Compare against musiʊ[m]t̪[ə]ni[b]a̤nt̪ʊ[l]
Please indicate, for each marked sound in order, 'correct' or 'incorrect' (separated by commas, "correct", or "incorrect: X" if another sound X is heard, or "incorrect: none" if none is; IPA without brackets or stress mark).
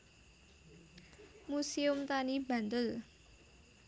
correct, incorrect: a, correct, correct